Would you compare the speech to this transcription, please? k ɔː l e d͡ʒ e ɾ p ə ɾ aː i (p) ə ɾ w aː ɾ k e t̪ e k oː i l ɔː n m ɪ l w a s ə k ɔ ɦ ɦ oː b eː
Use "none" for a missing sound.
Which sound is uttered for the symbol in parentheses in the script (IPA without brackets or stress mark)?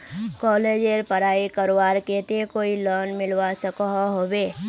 k